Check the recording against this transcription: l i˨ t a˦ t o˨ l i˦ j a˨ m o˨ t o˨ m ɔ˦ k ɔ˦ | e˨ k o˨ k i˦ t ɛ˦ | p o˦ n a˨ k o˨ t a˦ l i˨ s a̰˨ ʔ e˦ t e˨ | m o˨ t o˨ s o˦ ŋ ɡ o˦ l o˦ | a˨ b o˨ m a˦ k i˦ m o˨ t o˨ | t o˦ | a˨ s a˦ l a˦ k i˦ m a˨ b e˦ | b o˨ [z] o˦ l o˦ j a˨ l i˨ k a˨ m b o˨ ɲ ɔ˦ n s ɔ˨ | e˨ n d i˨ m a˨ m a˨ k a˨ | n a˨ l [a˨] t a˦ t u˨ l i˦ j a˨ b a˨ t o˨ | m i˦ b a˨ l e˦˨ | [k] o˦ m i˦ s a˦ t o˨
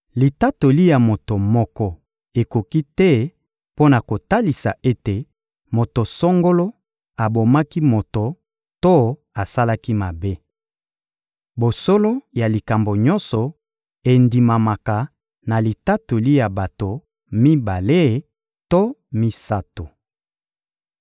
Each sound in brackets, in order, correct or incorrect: incorrect, incorrect, incorrect

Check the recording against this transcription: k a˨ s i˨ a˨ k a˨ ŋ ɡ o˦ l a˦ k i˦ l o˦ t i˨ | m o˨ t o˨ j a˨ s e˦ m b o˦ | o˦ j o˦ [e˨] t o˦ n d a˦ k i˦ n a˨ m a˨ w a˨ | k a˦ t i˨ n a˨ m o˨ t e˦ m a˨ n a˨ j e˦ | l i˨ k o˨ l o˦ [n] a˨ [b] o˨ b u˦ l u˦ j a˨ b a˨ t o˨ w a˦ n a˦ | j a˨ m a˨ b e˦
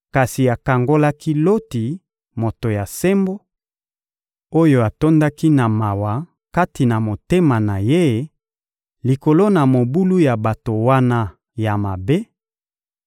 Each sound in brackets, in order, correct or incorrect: incorrect, correct, incorrect

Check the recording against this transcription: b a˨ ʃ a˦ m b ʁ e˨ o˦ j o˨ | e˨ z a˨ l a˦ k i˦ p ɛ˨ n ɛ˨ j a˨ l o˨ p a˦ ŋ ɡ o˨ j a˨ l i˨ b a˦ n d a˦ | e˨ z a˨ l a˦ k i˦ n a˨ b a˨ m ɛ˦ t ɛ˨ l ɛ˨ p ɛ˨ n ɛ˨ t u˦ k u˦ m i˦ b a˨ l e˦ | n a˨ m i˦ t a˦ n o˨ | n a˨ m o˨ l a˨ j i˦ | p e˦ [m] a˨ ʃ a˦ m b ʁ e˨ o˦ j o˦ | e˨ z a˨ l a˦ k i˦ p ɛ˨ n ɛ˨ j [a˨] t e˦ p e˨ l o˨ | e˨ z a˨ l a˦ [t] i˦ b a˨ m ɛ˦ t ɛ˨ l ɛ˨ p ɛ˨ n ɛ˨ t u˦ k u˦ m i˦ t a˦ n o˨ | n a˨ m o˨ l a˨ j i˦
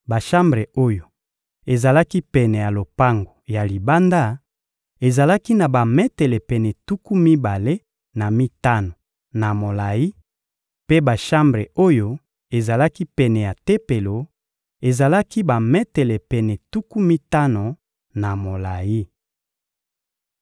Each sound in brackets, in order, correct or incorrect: incorrect, correct, incorrect

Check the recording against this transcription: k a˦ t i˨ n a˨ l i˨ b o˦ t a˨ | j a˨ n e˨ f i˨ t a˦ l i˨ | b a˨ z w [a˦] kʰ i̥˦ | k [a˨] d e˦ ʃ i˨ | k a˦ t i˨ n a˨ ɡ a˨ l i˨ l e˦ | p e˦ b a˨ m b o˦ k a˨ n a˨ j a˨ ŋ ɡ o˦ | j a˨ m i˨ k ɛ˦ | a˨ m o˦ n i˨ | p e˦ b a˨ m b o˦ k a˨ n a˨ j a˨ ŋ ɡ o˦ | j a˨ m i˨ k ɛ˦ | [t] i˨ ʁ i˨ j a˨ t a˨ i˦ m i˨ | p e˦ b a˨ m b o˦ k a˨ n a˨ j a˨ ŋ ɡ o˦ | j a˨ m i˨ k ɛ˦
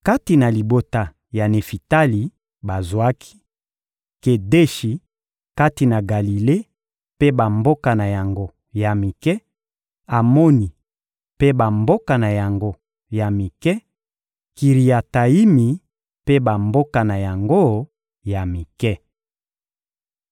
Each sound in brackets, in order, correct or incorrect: correct, incorrect, incorrect

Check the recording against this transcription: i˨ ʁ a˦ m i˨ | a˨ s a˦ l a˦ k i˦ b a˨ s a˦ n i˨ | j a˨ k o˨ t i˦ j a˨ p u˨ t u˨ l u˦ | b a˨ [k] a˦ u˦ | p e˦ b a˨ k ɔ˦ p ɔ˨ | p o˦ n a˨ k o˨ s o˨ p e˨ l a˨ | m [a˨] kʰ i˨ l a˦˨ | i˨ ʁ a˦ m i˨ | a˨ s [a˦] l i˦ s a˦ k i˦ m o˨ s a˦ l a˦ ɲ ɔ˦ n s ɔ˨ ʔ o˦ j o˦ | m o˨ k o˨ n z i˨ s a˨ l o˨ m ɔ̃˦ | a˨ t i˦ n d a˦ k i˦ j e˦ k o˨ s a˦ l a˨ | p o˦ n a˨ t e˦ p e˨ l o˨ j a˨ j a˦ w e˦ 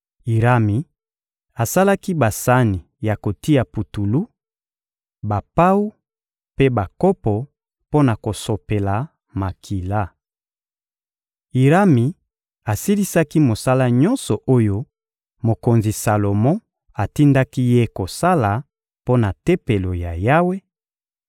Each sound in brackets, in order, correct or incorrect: incorrect, correct, incorrect

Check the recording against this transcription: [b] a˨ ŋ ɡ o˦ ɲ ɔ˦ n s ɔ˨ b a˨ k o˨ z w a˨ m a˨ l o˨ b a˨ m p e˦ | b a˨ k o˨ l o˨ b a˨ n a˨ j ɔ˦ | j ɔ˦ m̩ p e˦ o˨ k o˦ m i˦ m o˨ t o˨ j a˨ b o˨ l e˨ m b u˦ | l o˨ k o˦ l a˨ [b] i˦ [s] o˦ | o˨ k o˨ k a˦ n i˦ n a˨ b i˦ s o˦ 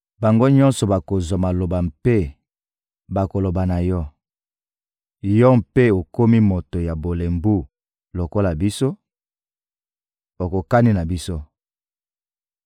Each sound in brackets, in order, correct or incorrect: correct, correct, correct

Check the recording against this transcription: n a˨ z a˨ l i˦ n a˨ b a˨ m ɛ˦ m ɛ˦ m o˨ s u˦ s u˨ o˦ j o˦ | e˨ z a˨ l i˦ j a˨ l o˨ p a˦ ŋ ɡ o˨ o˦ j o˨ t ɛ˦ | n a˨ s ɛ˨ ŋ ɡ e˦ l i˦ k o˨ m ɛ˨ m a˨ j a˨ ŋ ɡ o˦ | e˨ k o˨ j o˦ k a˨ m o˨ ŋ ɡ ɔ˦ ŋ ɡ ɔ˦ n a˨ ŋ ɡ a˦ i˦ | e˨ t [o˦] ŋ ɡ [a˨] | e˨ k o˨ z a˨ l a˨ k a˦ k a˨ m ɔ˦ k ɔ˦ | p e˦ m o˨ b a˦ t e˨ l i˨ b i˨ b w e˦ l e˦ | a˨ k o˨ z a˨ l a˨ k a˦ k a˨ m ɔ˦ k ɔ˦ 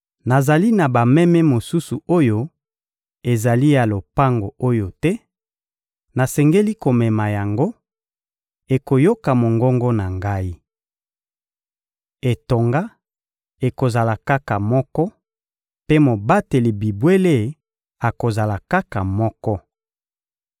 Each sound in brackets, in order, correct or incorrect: incorrect, incorrect

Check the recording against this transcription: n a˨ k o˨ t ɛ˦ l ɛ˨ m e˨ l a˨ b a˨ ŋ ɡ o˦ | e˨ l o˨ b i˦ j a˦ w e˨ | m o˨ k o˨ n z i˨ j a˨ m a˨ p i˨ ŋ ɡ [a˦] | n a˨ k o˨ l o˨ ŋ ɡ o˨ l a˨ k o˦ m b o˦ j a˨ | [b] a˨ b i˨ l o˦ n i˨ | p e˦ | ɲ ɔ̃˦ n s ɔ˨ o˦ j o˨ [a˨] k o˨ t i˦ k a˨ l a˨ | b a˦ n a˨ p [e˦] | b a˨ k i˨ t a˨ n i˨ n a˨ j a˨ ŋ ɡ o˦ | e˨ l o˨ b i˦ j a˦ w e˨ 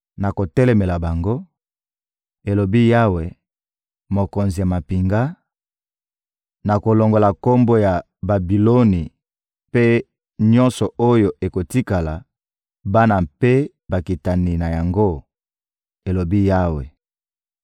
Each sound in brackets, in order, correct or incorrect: correct, correct, incorrect, correct

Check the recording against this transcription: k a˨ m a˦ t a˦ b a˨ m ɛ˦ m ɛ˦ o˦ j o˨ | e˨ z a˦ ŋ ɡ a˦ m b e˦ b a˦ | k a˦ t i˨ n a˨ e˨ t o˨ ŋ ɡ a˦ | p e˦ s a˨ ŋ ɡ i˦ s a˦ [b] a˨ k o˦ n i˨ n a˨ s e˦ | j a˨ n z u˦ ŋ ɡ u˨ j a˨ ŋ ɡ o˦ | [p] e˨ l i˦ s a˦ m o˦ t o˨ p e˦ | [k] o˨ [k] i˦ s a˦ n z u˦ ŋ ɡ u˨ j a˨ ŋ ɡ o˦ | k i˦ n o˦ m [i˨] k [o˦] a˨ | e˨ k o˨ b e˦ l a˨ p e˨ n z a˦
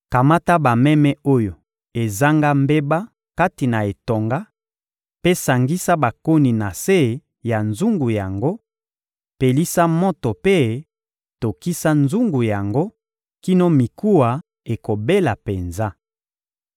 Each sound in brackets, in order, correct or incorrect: correct, correct, incorrect, correct, correct, incorrect

